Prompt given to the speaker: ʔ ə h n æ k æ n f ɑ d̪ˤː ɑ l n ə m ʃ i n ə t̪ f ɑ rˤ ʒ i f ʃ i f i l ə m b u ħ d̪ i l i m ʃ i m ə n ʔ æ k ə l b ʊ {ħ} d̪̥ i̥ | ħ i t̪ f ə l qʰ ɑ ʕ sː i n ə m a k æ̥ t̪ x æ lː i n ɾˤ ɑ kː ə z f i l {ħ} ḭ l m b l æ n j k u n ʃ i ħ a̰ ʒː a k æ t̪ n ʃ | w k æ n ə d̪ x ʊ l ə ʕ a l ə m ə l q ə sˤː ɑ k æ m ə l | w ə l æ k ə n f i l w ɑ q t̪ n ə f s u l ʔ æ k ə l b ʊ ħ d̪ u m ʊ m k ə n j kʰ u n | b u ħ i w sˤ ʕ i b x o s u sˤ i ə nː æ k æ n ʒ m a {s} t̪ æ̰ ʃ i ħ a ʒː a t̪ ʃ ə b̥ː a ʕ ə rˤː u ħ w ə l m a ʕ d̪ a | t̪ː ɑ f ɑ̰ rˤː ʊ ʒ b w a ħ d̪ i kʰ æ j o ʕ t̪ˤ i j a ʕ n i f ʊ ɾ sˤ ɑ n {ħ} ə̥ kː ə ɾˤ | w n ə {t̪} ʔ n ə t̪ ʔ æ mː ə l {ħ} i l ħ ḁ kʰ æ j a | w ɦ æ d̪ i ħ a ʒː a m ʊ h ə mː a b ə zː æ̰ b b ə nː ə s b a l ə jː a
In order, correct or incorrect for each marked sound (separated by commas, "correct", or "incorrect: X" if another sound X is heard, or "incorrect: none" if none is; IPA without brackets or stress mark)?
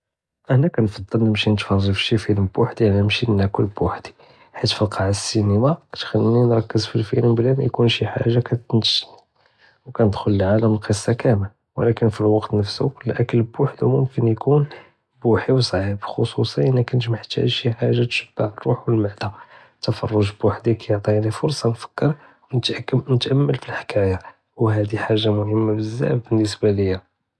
correct, incorrect: f, incorrect: ħ, incorrect: f, correct, incorrect: f